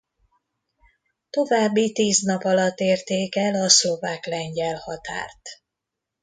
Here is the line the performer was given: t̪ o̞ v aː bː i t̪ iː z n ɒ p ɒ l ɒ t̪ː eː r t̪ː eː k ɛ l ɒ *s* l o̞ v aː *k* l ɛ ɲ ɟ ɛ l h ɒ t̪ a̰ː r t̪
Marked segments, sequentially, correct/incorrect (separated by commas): correct, correct